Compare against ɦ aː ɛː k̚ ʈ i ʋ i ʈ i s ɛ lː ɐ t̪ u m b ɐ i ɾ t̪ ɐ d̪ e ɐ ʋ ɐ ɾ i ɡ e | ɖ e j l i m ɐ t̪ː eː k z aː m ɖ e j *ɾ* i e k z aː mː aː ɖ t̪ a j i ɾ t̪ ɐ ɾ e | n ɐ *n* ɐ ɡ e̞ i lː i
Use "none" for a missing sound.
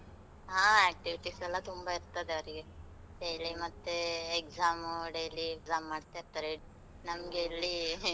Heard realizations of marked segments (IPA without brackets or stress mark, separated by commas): l, m